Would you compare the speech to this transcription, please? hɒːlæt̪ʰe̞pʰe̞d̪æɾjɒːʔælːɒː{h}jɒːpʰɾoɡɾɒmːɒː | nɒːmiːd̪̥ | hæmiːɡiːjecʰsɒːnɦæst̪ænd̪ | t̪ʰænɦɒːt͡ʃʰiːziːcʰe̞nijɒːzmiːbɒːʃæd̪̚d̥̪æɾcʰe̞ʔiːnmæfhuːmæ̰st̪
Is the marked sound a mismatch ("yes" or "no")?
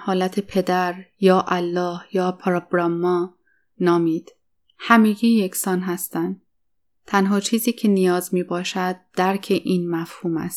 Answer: no